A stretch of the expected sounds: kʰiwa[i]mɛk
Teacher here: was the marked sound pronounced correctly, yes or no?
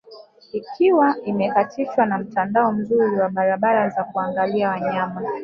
yes